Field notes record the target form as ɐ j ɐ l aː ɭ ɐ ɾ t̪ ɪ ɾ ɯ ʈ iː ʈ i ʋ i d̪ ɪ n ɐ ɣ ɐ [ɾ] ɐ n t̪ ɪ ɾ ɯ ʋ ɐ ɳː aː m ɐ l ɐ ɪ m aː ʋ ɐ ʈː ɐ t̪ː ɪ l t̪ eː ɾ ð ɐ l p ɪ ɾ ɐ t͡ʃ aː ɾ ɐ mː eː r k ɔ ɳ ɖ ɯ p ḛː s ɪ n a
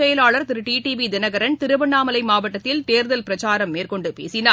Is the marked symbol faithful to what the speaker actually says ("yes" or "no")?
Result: yes